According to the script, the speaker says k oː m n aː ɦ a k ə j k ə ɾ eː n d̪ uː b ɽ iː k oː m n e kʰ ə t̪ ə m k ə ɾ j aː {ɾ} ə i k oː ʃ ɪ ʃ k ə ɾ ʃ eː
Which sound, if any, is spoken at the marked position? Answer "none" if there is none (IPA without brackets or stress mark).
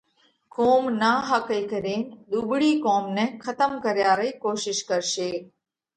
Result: ɾ